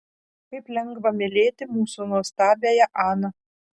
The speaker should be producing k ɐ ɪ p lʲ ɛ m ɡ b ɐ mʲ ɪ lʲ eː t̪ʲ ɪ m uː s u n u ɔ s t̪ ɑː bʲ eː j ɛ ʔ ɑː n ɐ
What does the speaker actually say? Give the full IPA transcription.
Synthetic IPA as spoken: k ɐ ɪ p lʲ ɛ ŋ ɡ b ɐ mʲ ɪ lʲ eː t̪ʲ ɪ m uː s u n u ɔ s t̪ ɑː bʲ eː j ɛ ʔ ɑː n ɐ